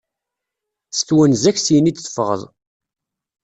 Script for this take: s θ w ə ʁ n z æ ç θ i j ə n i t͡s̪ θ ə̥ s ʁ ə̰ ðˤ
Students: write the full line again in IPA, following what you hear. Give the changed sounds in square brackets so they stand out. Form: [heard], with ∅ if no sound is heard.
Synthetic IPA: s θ w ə [∅] n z æ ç [s] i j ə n i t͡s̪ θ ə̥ [f] ʁ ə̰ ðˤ